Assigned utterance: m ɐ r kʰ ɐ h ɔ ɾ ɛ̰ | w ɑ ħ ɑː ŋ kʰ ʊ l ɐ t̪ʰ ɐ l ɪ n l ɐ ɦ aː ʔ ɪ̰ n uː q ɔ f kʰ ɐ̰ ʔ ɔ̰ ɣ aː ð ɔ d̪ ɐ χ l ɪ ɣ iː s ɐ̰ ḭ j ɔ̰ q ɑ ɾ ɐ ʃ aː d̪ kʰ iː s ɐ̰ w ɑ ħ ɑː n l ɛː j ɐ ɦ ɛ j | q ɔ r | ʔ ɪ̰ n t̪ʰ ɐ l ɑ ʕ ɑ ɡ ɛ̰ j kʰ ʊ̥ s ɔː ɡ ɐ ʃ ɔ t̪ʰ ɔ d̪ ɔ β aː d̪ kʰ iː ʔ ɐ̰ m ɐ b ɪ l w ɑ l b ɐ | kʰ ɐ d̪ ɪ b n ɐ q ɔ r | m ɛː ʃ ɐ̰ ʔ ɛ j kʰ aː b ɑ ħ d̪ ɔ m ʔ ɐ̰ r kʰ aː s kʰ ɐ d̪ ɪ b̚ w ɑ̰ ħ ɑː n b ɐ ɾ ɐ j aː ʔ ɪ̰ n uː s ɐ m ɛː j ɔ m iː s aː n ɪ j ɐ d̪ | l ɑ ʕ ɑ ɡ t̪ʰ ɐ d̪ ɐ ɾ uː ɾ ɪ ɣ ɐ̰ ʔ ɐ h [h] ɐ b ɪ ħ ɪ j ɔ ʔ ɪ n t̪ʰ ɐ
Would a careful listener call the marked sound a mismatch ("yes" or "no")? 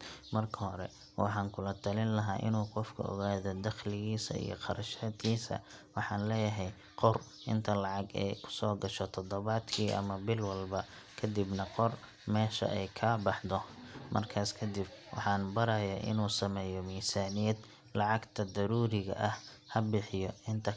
no